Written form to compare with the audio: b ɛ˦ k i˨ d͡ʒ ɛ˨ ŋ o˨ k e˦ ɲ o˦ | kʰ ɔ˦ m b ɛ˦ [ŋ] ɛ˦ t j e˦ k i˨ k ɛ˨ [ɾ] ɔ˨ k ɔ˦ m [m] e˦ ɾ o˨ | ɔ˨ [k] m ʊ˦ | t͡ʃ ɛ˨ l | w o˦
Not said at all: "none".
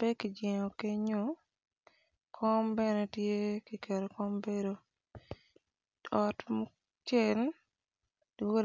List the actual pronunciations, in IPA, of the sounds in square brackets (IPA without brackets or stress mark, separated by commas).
n, ɾ, b, t